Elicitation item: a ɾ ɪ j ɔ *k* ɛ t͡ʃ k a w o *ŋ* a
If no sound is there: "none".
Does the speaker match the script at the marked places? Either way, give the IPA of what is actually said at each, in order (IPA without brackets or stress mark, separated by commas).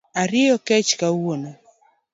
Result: k, n